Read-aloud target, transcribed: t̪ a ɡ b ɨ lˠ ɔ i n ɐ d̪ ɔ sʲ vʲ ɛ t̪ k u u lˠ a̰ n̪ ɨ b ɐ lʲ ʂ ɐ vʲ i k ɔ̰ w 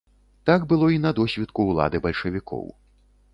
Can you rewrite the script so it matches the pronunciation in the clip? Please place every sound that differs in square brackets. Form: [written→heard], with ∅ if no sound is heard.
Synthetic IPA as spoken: t̪ a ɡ b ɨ lˠ ɔ i n ɐ d̪ ɔ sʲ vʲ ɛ t̪ k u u lˠ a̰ [n̪→d̪] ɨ b ɐ lʲ ʂ ɐ vʲ i k ɔ̰ w